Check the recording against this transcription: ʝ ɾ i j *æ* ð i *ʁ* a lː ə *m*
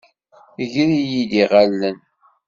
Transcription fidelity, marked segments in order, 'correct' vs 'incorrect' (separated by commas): incorrect, correct, incorrect